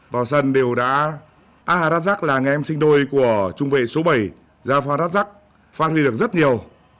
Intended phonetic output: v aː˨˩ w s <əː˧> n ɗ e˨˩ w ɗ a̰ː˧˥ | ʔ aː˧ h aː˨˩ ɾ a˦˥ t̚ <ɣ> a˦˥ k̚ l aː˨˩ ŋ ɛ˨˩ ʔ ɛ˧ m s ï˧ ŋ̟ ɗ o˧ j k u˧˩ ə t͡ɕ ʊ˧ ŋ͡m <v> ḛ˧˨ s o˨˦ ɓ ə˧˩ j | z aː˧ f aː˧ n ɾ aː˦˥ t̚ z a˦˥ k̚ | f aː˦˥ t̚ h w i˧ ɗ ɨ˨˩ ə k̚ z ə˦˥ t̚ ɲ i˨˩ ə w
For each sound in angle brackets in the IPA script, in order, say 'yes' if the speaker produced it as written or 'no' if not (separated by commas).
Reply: no, no, yes